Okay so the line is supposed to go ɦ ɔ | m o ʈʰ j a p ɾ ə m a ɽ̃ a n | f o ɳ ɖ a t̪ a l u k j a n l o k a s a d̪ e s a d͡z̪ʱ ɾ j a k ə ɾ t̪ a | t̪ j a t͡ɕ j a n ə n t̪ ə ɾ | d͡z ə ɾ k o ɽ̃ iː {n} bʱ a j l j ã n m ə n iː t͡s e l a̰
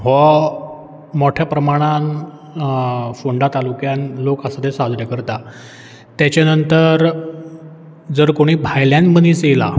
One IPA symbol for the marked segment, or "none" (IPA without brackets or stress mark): none